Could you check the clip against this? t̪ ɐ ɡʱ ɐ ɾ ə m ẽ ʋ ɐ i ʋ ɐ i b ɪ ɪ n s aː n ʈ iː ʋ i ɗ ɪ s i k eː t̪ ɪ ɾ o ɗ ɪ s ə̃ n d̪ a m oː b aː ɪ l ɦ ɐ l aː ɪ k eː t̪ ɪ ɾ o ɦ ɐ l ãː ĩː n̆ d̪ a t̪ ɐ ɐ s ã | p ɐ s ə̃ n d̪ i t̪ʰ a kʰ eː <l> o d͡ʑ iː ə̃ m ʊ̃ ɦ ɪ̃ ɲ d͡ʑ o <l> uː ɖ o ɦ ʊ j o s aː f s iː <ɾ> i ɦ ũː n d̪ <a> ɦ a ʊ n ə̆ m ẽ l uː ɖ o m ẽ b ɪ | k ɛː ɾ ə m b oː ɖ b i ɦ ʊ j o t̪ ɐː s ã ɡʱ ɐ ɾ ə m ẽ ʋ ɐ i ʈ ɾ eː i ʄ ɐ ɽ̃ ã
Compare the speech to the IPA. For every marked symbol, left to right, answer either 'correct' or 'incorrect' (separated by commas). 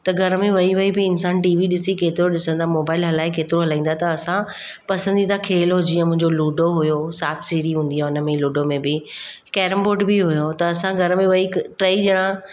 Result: correct, correct, correct, incorrect